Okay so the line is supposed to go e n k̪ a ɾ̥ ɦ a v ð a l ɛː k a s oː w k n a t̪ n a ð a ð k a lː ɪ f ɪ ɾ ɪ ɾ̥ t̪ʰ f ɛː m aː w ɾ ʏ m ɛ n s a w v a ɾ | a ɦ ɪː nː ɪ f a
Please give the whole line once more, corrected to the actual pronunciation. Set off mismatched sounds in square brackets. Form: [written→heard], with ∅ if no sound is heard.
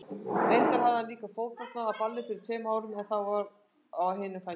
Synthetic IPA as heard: e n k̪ a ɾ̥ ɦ a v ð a l [ɛː→iː] k a [s→f] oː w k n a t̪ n a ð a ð [k→p] a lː ɪ f ɪ ɾ ɪ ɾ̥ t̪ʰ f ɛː m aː w ɾ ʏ m ɛ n [s→θ] a w v a ɾ | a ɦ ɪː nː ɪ f a